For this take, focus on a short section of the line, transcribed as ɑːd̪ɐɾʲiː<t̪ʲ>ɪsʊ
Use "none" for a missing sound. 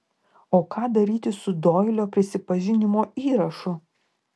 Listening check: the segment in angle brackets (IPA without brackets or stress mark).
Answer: t̪ʲ